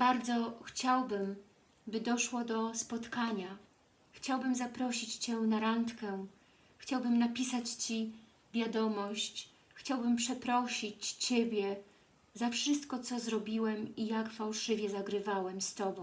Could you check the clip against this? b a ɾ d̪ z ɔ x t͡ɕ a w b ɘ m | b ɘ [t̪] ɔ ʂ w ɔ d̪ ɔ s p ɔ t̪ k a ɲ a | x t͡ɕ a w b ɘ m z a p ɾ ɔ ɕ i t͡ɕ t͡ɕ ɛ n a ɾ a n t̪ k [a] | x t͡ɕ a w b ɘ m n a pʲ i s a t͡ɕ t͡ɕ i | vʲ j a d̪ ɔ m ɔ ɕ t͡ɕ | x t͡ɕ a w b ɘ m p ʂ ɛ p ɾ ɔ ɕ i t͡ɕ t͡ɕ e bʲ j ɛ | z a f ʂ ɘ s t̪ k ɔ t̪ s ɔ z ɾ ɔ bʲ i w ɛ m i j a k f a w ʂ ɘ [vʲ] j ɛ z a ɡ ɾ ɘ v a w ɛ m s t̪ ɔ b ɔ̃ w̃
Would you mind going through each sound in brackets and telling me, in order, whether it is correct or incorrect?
incorrect: d̪, incorrect: ɛ, correct

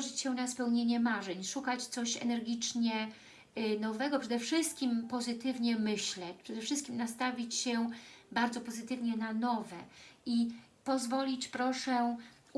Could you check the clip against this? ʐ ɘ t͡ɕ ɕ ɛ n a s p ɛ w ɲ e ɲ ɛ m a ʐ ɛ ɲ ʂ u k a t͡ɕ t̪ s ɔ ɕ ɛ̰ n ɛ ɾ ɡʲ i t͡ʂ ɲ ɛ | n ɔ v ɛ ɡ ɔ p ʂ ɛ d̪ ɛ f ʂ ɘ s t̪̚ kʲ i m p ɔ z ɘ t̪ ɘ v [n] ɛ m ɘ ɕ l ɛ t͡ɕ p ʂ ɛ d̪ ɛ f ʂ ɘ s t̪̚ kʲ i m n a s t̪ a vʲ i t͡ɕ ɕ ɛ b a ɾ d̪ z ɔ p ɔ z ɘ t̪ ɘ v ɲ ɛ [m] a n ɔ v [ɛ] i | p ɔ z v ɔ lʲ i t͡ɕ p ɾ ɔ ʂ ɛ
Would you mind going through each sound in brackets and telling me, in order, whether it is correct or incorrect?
incorrect: ɲ, incorrect: n, correct

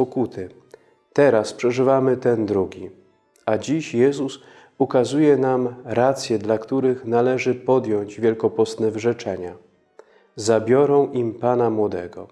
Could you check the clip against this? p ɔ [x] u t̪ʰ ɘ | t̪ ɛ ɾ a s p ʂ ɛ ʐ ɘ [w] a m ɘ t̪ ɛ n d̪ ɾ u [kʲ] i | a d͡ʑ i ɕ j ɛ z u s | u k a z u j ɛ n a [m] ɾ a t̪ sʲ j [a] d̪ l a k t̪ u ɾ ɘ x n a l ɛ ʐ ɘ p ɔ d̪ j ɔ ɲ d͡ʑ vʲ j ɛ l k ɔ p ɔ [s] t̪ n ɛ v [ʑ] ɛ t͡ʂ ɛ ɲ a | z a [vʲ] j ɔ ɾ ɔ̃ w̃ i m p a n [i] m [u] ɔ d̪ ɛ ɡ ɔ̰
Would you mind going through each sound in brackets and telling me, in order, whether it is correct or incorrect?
incorrect: k, incorrect: v, incorrect: ɡʲ, correct, incorrect: ɛ, correct, incorrect: ʐ, incorrect: bʲ, incorrect: a, incorrect: w

